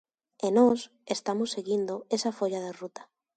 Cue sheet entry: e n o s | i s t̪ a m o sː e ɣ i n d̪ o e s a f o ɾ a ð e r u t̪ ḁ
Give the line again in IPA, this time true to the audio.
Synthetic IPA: e n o s | e s t̪ a m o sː e ɣ i n d̪ o e s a f o ʎ a ð e r u t̪ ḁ